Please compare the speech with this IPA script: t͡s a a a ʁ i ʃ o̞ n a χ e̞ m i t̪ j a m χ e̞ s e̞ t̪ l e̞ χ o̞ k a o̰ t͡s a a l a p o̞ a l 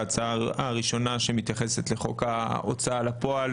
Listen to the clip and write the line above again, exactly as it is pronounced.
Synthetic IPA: t͡s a a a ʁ i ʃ o̞ n a ʃ e̞ m i t̪ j a χ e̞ s e̞ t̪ l e̞ χ o̞ k a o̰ t͡s a a l a p o̞ a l